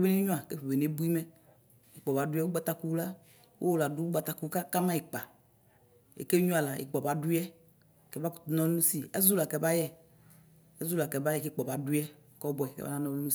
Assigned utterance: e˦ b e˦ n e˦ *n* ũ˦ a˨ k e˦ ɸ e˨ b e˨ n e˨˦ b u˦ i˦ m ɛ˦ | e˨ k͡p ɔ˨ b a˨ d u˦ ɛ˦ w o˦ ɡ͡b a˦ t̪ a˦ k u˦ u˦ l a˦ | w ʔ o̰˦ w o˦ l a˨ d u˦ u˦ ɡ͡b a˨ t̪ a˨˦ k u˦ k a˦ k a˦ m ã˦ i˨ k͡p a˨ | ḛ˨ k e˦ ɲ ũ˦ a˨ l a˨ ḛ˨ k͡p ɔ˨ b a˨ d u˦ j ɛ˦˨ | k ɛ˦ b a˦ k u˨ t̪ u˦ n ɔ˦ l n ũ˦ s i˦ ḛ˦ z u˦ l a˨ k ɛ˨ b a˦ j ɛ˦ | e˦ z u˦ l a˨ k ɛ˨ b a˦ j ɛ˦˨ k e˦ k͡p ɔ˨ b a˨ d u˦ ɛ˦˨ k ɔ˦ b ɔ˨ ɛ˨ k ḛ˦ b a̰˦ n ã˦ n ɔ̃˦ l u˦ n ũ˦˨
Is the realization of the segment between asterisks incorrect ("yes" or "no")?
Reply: yes